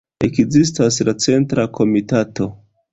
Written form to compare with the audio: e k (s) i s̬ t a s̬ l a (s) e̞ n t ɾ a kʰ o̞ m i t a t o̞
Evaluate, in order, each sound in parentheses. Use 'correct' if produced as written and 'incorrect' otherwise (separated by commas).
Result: incorrect, incorrect